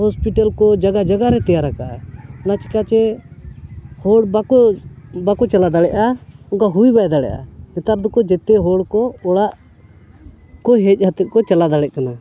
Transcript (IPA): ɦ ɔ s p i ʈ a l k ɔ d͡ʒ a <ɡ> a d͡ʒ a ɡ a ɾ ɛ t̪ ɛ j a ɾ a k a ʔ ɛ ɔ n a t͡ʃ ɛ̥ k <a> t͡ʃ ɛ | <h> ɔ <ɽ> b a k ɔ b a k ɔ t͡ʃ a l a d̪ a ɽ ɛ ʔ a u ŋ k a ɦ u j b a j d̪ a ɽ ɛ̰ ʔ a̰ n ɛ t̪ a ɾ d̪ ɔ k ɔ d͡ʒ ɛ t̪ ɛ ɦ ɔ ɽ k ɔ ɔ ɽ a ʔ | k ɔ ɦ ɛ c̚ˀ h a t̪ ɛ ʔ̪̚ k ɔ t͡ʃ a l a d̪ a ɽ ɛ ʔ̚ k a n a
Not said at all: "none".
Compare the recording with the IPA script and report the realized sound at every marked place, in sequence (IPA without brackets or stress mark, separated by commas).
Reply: ɡ, a, h, ɽ